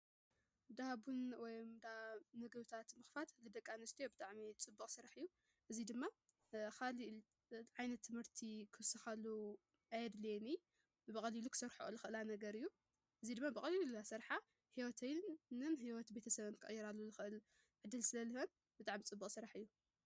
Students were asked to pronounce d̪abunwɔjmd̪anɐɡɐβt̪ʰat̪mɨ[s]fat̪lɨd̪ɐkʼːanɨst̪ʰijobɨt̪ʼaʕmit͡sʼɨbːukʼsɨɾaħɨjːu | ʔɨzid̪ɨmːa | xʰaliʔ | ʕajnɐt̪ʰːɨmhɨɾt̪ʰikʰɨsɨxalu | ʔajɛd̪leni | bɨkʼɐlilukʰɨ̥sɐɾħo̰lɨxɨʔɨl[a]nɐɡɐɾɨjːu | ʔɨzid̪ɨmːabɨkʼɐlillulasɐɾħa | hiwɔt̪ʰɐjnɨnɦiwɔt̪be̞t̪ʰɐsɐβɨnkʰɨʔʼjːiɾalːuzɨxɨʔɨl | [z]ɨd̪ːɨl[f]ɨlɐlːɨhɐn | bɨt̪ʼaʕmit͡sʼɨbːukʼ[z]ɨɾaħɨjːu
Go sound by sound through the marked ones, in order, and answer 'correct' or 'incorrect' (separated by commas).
incorrect, correct, incorrect, incorrect, incorrect